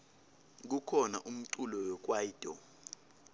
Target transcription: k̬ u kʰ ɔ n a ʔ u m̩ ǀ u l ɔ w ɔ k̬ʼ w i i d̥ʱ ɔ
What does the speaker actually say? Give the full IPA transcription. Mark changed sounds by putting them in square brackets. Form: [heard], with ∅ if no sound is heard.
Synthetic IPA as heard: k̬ u kʰ ɔ n a ʔ u m̩ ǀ u l ɔ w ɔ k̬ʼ w [a] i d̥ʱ ɔ